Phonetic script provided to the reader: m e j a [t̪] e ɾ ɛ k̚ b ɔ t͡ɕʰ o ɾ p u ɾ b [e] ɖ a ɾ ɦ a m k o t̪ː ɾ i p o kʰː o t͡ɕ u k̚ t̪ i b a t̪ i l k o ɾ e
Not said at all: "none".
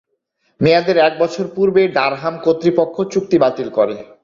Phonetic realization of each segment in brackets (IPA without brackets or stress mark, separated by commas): d̪, e